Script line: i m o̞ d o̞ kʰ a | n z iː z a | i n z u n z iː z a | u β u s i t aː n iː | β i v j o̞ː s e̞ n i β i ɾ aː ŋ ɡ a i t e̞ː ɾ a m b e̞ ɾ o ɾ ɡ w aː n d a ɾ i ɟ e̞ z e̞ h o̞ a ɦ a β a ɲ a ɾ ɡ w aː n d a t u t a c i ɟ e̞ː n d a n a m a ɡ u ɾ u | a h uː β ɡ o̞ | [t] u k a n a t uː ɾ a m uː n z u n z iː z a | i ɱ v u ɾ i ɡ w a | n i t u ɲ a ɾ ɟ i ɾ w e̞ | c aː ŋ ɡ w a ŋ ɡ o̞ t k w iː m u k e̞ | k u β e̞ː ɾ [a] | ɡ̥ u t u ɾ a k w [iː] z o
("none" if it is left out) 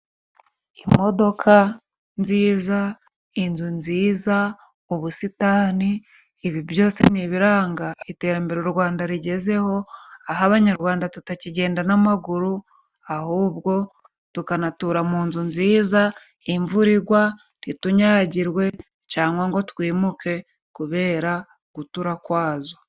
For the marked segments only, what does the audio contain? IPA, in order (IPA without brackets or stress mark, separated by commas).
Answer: t, a, aː